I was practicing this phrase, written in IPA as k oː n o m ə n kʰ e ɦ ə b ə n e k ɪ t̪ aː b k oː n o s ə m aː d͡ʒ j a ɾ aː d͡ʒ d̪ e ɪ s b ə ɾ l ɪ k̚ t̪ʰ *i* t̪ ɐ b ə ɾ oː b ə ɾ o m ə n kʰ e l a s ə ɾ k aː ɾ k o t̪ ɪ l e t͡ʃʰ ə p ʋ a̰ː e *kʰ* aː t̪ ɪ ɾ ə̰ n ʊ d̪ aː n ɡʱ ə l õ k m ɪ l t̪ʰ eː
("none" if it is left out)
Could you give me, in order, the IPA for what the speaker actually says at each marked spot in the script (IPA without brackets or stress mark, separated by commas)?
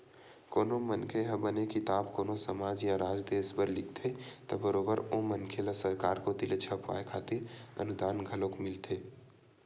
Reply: e, kʰ